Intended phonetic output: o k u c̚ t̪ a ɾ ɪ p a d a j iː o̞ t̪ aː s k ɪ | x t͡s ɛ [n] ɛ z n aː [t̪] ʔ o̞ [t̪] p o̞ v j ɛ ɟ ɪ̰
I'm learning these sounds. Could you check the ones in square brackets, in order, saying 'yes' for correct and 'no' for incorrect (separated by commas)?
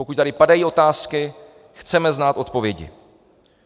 no, yes, yes